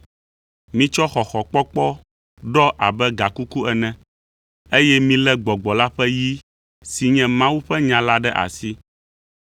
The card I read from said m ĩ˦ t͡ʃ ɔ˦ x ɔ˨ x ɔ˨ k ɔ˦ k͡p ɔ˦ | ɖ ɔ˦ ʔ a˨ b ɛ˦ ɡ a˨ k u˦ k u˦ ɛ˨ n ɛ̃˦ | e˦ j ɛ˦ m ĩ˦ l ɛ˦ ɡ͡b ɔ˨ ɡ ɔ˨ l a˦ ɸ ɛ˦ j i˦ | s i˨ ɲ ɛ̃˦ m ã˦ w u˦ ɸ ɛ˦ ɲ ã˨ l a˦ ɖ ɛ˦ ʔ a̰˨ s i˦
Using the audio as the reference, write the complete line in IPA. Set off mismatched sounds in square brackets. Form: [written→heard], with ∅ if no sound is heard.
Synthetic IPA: m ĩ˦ t͡ʃ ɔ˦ x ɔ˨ x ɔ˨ [k→k͡p] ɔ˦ k͡p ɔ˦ | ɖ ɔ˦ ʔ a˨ b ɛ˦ ɡ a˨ k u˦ k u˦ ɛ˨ n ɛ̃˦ | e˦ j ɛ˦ m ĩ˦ l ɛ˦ ɡ͡b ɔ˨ [ɡ→ɡ͡b] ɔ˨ l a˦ ɸ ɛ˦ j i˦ | s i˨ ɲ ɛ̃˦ m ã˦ w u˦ ɸ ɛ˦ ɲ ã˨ l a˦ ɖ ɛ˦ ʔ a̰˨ s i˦